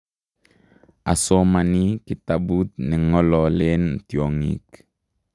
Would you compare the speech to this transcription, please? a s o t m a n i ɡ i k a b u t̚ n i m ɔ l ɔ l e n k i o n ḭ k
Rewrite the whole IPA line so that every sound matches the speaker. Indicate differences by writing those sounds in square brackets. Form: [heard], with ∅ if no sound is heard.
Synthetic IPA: a s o [∅] m a n i [k] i [t] a b u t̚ n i [ŋ] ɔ l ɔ l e n [t] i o [ŋ] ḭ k